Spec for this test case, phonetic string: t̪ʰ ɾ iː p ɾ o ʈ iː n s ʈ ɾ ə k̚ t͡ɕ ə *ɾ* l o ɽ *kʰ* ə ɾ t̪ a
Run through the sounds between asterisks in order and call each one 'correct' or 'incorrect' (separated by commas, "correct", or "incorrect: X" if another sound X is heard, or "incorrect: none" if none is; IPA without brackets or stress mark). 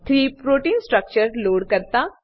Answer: correct, incorrect: k